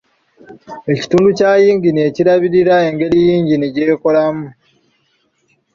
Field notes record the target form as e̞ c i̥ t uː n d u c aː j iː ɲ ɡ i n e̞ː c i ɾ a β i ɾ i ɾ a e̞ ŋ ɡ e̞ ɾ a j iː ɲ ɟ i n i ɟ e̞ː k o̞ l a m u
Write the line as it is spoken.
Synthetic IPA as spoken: e̞ c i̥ t uː n d u c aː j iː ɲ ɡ i n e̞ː c i ɾ a β i ɾ i ɾ a e̞ ŋ ɡ e̞ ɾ i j iː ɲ ɟ i n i ɟ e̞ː k o̞ l a m u